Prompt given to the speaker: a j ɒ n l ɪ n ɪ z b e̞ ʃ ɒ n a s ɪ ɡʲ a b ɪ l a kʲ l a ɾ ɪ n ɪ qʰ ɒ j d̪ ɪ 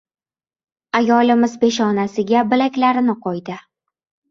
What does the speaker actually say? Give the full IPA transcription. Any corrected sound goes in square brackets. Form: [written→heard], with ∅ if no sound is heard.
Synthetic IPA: a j ɒ [n→∅] l ɪ [n→m] ɪ z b e̞ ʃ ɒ n a s ɪ ɡʲ a b ɪ l a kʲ l a ɾ ɪ n ɪ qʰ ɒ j d̪ ɪ